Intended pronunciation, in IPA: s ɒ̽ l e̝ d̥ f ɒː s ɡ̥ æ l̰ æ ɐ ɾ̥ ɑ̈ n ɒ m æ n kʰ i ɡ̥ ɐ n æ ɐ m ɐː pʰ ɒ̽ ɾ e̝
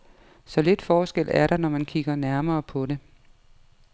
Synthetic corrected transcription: s ɒ̽ l e̝ d̥ f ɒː s ɡ̥ e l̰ æ ɐ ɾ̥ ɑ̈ n ɒ m æ n kʰ i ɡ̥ ɐ n æ ɐ m ɐː pʰ ɒ̽ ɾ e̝